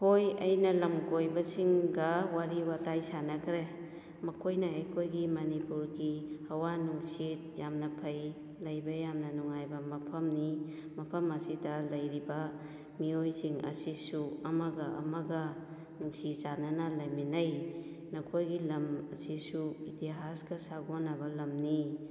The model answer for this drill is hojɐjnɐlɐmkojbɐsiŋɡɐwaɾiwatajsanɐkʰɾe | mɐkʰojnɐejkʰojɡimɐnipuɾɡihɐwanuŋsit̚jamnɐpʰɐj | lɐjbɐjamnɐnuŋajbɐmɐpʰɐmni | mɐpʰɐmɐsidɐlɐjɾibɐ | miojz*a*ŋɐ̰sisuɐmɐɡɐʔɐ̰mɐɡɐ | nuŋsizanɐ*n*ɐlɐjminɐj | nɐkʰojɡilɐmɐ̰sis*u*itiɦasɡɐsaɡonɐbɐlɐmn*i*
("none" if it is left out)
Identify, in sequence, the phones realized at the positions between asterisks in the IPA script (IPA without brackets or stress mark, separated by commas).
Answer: i, n, u, i